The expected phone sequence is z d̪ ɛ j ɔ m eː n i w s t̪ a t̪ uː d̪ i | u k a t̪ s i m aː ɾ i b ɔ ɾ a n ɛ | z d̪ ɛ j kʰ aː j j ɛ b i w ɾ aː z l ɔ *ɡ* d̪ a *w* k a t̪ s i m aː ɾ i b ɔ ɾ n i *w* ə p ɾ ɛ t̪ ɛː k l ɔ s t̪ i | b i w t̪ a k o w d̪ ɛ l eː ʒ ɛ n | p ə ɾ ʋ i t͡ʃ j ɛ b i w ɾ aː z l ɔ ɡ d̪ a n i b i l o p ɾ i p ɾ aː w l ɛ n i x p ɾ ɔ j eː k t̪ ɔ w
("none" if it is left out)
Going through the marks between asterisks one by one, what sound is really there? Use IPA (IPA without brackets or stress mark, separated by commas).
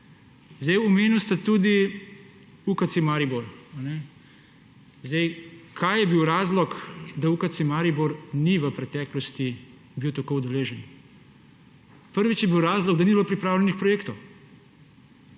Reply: k, u, ʋ